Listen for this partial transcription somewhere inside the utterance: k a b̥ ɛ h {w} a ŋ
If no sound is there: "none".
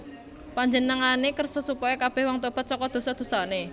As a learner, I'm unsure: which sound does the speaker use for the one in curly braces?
w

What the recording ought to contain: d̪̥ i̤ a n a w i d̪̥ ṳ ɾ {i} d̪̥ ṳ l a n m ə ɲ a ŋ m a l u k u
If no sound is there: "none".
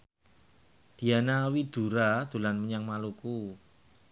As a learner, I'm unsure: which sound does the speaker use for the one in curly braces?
a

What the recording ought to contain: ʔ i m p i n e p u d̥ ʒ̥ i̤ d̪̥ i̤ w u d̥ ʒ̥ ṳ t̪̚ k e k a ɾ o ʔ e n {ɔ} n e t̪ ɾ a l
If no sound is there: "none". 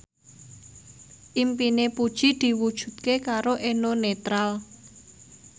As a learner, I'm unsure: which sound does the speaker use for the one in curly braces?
o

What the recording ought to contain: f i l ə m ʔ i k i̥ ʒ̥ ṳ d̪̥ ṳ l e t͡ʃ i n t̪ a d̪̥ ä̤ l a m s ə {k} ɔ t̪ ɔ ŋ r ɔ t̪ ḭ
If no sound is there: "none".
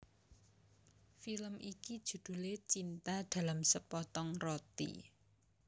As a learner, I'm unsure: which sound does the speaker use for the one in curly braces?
p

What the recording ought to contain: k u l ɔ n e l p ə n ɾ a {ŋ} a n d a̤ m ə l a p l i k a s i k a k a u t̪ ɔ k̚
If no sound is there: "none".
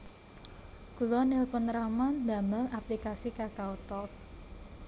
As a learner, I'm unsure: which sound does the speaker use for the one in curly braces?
m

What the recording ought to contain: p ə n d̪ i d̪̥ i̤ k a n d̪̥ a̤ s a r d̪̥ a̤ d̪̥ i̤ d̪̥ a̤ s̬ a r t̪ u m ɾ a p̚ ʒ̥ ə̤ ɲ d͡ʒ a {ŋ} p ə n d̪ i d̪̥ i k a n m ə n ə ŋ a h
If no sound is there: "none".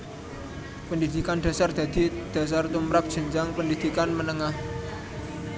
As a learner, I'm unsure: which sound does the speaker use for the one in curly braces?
ŋ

